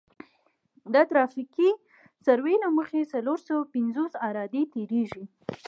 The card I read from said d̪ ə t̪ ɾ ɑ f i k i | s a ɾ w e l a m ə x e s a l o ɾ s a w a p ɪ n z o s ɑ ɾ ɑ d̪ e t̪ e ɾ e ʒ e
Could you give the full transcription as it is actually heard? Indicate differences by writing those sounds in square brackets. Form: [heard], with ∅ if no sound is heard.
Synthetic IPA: d̪ ə t̪ ɾ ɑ f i k i | s a ɾ w e l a m ə x e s a l o ɾ s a w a p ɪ n z o s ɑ ɾ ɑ d̪ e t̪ e ɾ e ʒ [i]